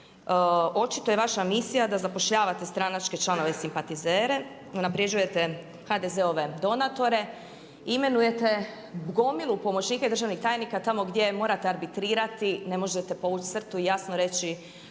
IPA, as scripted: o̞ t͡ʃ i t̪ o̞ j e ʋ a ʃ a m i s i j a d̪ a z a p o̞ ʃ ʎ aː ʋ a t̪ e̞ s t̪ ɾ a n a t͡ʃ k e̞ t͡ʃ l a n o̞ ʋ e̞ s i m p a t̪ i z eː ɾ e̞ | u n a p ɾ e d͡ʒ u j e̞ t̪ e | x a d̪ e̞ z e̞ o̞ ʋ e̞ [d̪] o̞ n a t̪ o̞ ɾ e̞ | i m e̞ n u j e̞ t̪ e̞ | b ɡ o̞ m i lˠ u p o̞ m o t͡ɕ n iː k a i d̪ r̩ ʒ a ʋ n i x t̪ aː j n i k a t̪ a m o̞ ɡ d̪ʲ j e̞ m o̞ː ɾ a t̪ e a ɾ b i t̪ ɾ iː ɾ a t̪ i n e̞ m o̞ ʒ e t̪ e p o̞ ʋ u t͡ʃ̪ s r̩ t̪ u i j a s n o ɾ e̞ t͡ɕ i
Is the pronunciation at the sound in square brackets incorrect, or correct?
correct